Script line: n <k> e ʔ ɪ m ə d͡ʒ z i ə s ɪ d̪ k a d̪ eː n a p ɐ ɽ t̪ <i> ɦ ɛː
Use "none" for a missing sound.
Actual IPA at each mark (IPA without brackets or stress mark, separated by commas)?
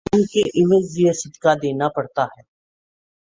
k, a